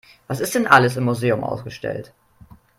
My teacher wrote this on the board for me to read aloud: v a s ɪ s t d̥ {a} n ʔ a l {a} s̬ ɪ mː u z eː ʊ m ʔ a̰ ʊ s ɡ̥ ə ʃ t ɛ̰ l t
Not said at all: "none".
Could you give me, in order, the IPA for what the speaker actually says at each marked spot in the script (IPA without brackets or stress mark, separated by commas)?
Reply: ɛ, ə